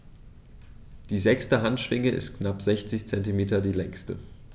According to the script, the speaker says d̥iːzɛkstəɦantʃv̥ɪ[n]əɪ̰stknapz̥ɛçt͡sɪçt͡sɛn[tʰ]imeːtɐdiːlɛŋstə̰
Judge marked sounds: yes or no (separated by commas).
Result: no, no